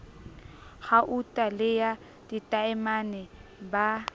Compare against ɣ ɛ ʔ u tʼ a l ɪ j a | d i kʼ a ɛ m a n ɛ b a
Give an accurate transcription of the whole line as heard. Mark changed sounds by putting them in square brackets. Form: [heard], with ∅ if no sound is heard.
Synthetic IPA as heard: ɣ [a] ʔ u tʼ a l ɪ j a | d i [tʼ] a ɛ m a n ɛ b a